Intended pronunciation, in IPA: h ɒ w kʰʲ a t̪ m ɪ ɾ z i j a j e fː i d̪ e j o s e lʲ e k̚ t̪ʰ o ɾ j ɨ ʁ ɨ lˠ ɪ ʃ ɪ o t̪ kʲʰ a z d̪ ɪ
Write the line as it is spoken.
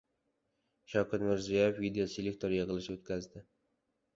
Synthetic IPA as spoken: ʃ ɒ w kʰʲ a t̪ m ɪ ɾ z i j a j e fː i d̪ e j o s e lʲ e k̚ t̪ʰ o ɾ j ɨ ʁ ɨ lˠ ɪ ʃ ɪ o t̪ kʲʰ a z d̪ ɪ